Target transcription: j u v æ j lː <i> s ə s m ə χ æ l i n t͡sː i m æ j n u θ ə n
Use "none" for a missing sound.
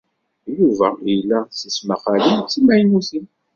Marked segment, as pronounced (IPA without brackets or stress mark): æ